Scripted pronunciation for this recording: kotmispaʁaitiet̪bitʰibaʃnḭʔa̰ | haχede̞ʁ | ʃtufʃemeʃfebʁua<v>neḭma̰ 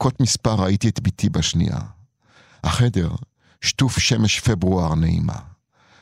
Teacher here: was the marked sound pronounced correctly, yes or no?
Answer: no